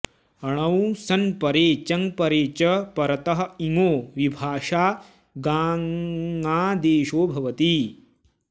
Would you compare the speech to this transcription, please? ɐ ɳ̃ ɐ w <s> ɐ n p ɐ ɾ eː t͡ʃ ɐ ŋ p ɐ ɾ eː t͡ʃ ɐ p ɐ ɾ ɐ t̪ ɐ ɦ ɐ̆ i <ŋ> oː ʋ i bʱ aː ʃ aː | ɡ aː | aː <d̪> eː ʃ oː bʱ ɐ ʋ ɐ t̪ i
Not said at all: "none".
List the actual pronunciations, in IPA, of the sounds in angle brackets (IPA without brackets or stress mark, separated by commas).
s, ŋ, d̪